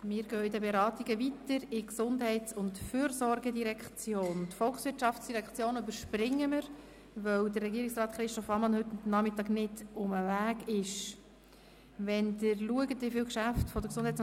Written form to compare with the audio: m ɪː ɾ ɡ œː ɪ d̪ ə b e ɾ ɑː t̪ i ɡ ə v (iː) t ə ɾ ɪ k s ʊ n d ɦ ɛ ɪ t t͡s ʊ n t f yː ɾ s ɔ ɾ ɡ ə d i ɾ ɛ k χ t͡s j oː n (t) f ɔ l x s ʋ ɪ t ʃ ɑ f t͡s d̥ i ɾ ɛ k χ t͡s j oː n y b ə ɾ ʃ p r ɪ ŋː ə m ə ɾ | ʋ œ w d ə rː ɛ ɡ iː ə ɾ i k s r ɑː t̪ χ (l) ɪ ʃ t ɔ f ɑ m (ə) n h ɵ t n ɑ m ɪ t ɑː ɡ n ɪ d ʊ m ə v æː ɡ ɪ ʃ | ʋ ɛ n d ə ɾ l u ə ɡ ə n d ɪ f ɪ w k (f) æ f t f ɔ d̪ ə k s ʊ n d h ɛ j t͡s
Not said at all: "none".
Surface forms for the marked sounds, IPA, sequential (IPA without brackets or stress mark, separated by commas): i, t, ɾ, ɑ, ʃ